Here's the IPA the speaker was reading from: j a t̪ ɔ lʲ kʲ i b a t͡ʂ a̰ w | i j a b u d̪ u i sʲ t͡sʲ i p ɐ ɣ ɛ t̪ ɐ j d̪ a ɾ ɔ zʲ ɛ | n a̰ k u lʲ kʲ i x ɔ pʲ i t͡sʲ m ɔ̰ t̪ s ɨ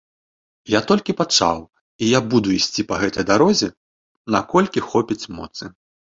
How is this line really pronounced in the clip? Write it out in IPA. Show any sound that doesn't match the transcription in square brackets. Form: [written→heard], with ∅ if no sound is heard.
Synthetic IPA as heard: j a t̪ ɔ lʲ kʲ i [b→p] a t͡ʂ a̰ w | i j a b u d̪ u i sʲ t͡sʲ i p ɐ ɣ ɛ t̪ ɐ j d̪ a ɾ ɔ zʲ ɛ | n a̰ k [u→ɔ] lʲ kʲ i x ɔ pʲ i t͡sʲ m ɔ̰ t̪ s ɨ